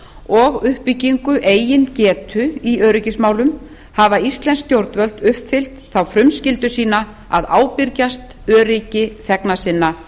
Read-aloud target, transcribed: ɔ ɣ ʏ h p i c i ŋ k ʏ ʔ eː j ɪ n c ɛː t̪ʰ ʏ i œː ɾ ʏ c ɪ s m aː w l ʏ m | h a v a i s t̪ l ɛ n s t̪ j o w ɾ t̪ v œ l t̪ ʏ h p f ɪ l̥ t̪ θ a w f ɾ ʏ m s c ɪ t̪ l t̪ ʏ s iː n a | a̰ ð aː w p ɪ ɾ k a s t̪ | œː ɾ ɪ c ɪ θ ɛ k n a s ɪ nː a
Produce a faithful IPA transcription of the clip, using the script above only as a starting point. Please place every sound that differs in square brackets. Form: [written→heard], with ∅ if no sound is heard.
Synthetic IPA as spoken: ɔ ɣ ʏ h p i c i ŋ k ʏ ʔ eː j ɪ n c ɛː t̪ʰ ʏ i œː ɾ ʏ c ɪ s m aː w l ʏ m | h a v a i s t̪ l ɛ n s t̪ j o w ɾ t̪ v œ l t̪ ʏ h p f ɪ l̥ t̪ θ a w f ɾ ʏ m s c ɪ [t̪→∅] l t̪ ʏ s iː n a | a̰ ð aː w p ɪ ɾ [k→c] a s t̪ | œː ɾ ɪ c ɪ θ ɛ k n a s ɪ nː a